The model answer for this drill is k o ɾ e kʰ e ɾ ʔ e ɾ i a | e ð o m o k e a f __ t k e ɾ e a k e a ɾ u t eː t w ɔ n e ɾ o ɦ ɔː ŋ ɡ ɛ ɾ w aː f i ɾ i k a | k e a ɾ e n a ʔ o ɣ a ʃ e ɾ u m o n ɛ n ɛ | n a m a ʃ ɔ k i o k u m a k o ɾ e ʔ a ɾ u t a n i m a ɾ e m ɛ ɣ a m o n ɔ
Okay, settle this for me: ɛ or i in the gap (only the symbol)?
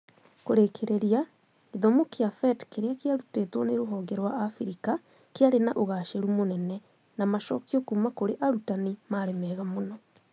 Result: ɛ